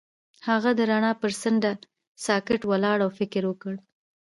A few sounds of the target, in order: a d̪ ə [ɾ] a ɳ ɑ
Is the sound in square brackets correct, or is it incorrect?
correct